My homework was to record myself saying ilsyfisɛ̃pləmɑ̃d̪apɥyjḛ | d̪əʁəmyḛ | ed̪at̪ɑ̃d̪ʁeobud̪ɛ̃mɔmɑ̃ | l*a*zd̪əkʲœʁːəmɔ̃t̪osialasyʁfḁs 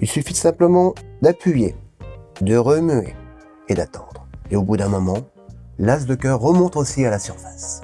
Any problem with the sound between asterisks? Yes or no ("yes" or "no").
no